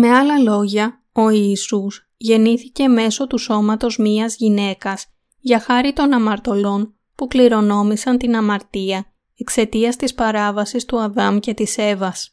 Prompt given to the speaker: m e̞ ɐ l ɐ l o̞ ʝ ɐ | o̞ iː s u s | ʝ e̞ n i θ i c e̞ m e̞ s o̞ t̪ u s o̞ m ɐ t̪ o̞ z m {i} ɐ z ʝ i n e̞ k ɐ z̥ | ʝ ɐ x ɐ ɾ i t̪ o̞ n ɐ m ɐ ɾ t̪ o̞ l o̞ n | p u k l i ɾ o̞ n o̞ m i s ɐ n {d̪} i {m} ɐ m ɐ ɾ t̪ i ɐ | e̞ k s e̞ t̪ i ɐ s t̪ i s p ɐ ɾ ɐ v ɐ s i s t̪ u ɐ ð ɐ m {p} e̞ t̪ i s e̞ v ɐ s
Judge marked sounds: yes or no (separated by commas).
yes, no, no, no